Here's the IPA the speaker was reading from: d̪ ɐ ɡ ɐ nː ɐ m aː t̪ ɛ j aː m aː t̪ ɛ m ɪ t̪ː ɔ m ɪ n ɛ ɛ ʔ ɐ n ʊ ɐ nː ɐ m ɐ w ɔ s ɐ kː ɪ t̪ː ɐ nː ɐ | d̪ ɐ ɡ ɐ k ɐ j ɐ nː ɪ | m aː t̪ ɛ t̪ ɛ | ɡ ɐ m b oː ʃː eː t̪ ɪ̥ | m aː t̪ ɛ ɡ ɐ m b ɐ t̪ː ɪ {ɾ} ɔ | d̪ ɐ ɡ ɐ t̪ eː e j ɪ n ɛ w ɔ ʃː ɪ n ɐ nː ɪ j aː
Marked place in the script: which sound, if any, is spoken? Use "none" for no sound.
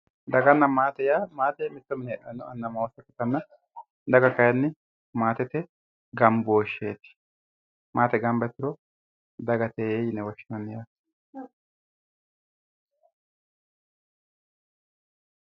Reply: ɾ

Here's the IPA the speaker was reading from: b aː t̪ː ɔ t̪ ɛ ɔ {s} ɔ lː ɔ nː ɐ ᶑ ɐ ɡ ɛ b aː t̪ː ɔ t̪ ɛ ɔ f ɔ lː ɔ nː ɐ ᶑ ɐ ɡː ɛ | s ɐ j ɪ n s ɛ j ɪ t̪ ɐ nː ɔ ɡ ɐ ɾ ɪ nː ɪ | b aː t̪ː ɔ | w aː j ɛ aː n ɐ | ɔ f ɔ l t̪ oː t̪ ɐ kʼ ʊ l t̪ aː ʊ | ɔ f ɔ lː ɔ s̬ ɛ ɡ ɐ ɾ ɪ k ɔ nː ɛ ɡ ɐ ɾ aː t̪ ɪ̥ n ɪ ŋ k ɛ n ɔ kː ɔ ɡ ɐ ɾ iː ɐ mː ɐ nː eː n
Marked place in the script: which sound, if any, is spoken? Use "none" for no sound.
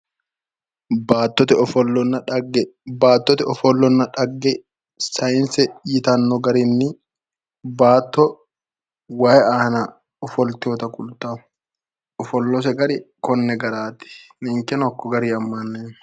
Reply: f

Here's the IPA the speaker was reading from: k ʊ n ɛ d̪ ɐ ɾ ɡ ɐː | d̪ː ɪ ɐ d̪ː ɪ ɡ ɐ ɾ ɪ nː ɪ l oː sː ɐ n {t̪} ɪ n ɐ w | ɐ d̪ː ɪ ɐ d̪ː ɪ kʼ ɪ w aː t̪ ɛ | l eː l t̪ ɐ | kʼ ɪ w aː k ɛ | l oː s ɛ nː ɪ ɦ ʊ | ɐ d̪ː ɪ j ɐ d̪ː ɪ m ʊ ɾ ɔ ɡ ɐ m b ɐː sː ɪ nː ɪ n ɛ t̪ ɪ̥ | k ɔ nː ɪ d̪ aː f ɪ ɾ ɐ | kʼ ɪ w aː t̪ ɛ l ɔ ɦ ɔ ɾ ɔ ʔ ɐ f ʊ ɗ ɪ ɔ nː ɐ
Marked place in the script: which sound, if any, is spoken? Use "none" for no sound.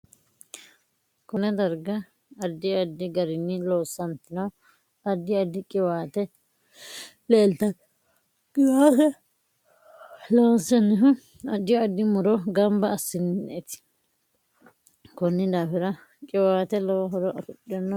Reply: t̪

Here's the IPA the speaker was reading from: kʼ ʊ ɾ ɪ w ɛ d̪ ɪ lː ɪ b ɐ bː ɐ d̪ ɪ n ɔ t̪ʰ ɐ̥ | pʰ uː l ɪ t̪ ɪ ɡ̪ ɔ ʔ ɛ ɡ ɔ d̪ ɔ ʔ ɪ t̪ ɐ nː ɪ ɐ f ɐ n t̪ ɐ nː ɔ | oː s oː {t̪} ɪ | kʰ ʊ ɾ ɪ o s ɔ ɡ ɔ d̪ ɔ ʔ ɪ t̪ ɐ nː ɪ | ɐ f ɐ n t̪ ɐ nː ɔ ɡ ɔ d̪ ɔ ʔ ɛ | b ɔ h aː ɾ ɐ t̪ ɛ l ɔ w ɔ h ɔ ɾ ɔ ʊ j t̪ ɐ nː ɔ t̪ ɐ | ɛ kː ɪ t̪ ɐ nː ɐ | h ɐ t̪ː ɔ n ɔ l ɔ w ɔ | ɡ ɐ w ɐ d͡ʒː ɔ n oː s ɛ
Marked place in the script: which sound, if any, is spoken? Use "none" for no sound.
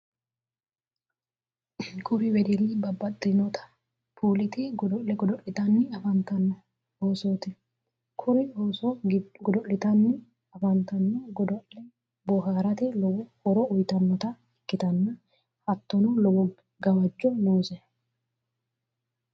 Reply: t̪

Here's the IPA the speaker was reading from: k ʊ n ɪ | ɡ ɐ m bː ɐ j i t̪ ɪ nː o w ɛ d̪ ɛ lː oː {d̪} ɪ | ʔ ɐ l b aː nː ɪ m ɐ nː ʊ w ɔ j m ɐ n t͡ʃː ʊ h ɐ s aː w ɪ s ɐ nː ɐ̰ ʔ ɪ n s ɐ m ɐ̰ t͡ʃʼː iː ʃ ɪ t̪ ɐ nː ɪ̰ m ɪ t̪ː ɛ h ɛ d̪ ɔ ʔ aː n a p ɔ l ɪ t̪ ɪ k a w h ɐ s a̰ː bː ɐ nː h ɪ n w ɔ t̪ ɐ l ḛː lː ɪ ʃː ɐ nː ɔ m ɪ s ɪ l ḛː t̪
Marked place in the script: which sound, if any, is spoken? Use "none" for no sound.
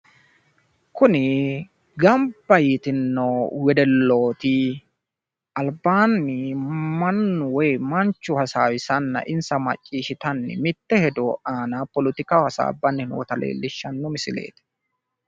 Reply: t̪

